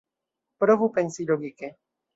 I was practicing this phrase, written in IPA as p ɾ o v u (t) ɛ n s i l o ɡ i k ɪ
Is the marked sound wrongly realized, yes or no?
yes